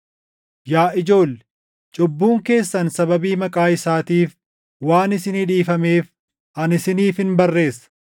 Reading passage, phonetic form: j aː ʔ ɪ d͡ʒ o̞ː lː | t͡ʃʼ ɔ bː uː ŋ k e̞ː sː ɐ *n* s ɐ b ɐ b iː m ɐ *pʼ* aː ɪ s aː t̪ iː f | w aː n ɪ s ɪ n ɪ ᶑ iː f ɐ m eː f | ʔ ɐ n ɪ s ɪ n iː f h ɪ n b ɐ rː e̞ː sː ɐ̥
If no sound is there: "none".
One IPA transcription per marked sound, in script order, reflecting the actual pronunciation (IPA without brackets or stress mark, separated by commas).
n, kʼ